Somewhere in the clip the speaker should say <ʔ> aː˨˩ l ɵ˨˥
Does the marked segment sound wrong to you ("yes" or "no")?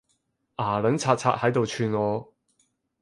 no